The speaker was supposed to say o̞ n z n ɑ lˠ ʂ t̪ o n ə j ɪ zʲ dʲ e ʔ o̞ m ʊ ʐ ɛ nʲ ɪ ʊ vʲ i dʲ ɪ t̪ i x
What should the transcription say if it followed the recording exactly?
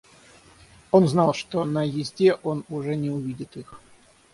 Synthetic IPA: o̞ n z n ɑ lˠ ʂ t̪ o n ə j ɪ zʲ dʲ e ʔ o̞ n ʊ ʐ ɛ nʲ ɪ ʊ vʲ i dʲ ɪ t̪ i x